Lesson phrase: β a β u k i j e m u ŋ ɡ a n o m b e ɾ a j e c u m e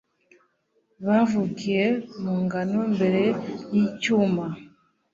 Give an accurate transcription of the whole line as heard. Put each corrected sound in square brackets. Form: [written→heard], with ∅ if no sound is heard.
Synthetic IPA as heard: β a [β→v] u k i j e m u ŋ ɡ a n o m b e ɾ [a→e] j [e→i] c u m [e→a]